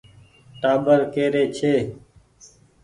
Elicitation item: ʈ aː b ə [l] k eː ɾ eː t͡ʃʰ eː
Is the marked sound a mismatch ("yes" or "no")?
yes